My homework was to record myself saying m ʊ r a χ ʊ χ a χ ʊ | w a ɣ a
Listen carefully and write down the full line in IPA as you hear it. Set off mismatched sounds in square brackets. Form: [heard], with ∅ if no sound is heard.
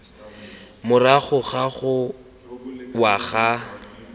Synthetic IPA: m ʊ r a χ ʊ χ a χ ʊ | w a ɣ a

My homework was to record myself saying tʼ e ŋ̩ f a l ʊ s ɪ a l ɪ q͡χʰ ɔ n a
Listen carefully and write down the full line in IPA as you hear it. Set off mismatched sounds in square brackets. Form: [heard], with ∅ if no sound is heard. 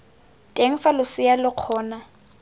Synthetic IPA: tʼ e ŋ̩ f a l ʊ s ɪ a l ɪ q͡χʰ [ɔː] n a

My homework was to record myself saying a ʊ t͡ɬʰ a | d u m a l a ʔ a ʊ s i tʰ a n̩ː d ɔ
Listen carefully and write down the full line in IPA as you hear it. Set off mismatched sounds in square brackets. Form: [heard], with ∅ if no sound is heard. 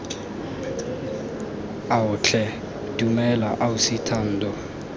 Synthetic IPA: a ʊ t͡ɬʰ [ɛ] | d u m [ɛ] l a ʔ a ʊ s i tʰ a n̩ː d ɔ

